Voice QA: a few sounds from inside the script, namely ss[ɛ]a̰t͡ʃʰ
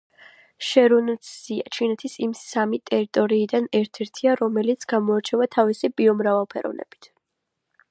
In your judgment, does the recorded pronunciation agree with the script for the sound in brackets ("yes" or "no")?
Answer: no